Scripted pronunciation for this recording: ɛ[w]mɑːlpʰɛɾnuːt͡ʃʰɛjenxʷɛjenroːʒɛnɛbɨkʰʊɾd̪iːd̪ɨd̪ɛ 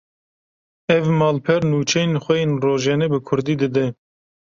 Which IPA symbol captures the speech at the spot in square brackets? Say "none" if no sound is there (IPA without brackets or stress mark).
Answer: v